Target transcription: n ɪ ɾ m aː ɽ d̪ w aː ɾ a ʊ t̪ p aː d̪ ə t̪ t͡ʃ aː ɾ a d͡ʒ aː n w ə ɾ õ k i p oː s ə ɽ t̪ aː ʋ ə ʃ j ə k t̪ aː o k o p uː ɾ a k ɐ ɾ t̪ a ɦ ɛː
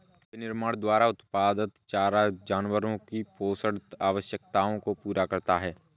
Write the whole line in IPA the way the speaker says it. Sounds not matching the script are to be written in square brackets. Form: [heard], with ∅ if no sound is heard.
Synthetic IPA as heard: n ɪ ɾ m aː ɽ d̪ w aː ɾ a ʊ t̪ p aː d̪ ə t̪ t͡ʃ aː ɾ a d͡ʒ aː n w ə ɾ õ k i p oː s ə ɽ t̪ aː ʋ ə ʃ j ə k t̪ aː [õ] k o p uː ɾ a k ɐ ɾ t̪ a ɦ ɛː